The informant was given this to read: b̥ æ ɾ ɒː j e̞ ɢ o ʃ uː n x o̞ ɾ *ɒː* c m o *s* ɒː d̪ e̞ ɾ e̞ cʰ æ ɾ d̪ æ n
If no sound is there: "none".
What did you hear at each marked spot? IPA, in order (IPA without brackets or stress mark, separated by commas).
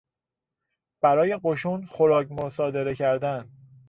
ɒː, s